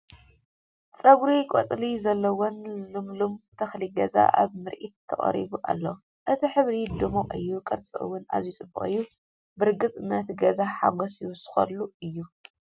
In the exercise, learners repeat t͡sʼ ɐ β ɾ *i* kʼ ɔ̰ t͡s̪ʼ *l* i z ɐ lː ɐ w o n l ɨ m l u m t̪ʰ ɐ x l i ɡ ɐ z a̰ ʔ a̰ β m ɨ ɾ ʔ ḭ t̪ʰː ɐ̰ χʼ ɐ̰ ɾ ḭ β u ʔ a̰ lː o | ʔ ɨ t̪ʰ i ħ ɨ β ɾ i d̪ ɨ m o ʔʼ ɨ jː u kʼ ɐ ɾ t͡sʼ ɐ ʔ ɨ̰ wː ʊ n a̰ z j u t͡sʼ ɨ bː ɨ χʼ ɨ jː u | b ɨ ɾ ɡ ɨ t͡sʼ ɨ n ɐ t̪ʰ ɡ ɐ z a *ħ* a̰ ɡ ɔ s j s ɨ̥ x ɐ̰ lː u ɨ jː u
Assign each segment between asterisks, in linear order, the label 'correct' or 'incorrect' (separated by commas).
correct, correct, correct